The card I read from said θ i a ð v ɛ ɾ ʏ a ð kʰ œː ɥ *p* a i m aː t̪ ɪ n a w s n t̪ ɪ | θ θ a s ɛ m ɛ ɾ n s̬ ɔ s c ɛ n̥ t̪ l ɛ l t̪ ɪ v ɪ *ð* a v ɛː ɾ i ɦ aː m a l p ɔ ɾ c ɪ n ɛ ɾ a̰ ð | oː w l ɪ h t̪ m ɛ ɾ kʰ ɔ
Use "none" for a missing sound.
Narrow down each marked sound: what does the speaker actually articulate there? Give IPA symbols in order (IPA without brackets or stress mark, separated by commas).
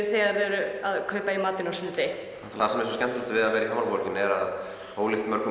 p, ð